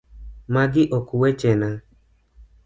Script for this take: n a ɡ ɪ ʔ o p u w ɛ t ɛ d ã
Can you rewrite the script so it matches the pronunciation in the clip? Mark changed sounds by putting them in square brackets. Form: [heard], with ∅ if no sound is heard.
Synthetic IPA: [m] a ɡ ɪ ʔ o [k] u w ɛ [t͡ʃ] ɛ [n] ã